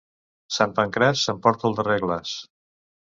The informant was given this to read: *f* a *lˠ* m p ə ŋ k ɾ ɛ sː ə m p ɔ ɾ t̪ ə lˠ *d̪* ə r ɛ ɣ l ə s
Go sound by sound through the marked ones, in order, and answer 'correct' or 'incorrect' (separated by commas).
incorrect, incorrect, correct